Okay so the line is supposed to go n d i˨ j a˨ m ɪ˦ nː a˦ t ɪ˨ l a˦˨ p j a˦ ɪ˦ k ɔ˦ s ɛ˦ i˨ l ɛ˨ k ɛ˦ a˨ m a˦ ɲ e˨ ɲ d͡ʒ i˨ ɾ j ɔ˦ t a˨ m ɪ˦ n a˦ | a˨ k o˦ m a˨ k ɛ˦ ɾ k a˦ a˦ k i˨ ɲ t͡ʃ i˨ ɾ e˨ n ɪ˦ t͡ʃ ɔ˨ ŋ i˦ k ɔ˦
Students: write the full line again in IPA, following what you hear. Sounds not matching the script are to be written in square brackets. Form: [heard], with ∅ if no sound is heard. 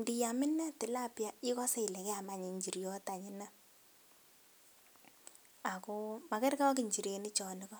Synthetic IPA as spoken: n d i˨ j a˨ m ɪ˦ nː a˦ t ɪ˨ l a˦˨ p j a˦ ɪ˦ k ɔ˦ s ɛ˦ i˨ l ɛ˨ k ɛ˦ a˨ m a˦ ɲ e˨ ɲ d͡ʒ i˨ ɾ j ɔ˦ t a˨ [ɲ] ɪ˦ n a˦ | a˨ k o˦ m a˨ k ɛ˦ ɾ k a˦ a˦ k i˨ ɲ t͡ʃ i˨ ɾ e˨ n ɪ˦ t͡ʃ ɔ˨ [n] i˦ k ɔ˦